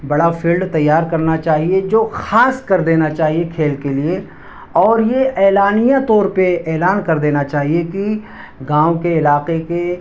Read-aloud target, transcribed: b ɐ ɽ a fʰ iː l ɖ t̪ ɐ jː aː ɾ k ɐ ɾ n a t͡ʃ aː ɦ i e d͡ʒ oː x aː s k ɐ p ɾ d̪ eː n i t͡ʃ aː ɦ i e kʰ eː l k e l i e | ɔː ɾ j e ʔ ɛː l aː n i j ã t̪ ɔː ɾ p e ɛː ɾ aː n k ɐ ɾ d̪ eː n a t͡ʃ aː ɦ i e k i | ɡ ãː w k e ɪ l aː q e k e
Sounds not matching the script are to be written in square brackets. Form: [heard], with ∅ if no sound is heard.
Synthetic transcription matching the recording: b ɐ ɽ a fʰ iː l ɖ t̪ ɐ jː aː ɾ k ɐ ɾ n a t͡ʃ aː ɦ i e d͡ʒ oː x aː s k ɐ [∅] ɾ d̪ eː n [a] t͡ʃ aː ɦ i e kʰ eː l k e l i e | ɔː ɾ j e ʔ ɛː l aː n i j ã t̪ ɔː ɾ p e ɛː [l] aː n k ɐ ɾ d̪ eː n a t͡ʃ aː ɦ i e k i | ɡ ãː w k e ɪ l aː q e k e